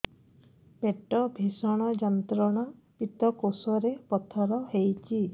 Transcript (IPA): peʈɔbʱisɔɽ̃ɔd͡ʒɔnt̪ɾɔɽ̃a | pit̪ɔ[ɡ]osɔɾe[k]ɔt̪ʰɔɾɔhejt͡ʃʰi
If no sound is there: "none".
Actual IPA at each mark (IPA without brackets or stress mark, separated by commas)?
k, p